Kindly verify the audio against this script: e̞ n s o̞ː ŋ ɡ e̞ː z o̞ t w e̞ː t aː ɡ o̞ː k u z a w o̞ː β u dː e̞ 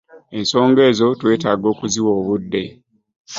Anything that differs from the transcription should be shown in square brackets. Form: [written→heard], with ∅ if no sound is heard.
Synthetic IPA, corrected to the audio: e̞ n s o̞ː ŋ ɡ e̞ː z o̞ t w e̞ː t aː ɡ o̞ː k u z [a→i] w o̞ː β u dː e̞